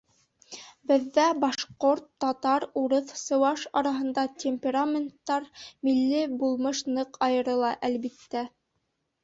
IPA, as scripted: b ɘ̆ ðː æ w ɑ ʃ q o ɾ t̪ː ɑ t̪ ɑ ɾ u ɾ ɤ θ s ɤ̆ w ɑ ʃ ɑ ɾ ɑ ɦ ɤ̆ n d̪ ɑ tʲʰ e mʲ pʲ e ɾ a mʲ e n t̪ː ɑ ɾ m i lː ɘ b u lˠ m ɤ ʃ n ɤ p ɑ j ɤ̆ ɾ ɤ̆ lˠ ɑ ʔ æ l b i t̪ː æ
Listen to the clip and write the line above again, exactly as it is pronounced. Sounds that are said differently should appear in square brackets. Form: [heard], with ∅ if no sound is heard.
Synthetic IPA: b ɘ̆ ðː æ [b] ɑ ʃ q o ɾ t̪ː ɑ t̪ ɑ ɾ u ɾ ɤ θ s ɤ̆ w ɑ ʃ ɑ ɾ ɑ ɦ ɤ̆ n d̪ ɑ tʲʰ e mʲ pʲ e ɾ a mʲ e n t̪ː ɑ ɾ m i lː ɘ b u lˠ m ɤ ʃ n ɤ [q] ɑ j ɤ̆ ɾ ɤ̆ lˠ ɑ ʔ æ l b i t̪ː æ